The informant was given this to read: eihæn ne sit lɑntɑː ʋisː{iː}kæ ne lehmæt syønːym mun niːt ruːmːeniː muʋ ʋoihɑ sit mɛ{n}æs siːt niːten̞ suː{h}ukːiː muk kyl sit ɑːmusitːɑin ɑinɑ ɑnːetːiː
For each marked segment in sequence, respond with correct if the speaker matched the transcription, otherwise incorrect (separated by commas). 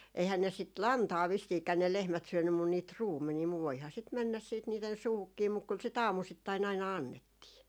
correct, incorrect, correct